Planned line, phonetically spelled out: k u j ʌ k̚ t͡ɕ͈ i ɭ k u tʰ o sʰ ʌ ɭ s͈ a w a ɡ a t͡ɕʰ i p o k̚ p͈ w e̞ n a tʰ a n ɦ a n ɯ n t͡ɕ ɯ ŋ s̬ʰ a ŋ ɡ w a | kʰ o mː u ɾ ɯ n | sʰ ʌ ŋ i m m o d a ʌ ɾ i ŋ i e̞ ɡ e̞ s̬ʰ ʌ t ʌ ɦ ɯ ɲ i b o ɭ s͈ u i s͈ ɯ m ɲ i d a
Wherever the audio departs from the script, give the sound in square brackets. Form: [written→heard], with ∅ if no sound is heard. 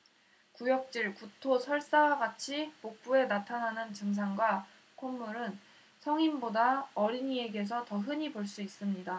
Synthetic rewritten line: k u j ʌ k̚ t͡ɕ͈ i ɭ k u tʰ o sʰ ʌ ɭ s͈ a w a ɡ a t͡ɕʰ i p o k̚ p͈ [w→u] e̞ n a tʰ a n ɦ a n ɯ n t͡ɕ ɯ ŋ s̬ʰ a ŋ ɡ w a | kʰ o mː u ɾ ɯ n | sʰ ʌ ŋ i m [m→b] o d a ʌ ɾ i [ŋ→ɲ] i e̞ ɡ e̞ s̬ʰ ʌ t ʌ ɦ ɯ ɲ i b o ɭ s͈ u i s͈ ɯ m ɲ i d a